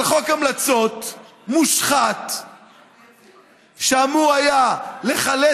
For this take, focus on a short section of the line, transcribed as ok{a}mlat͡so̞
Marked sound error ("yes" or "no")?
no